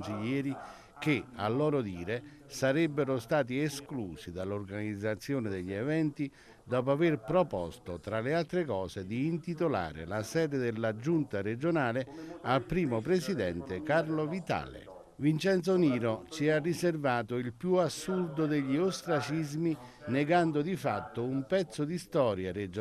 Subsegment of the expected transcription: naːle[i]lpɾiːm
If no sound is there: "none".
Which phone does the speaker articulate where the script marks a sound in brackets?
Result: a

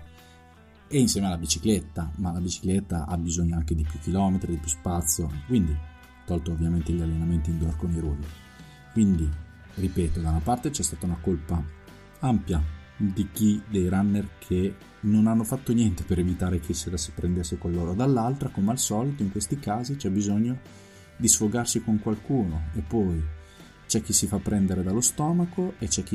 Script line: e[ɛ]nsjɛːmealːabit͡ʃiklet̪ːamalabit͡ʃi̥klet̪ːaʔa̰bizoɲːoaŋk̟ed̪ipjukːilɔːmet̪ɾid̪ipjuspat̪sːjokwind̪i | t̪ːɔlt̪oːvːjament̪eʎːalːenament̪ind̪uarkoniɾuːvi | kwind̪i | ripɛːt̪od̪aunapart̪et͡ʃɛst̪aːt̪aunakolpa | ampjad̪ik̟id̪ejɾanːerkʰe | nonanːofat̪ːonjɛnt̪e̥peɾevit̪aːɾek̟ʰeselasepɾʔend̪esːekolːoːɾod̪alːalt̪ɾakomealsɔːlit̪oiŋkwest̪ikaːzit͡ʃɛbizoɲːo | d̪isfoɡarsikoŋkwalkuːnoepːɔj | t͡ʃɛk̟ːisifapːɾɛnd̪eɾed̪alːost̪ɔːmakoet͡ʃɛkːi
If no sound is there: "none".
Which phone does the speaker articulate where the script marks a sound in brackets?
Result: i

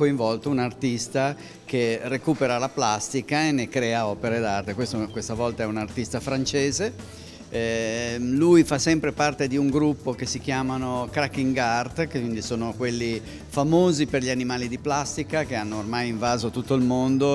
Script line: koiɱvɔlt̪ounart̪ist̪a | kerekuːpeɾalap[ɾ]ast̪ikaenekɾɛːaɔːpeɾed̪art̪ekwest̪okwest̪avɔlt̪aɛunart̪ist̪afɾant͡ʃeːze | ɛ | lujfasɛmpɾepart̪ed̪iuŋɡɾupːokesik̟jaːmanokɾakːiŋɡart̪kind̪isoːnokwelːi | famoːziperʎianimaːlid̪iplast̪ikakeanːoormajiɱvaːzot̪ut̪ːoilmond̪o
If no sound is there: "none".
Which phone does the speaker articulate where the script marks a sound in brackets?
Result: l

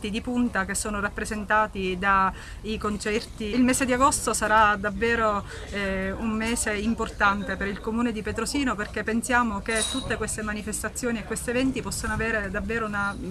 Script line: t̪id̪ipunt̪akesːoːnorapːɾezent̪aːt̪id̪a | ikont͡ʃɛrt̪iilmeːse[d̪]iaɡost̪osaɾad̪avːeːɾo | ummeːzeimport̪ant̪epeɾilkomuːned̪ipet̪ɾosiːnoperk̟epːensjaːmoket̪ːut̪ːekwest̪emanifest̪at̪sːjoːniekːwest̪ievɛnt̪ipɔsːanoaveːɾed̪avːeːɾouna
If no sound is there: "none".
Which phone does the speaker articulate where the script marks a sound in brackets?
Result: d̪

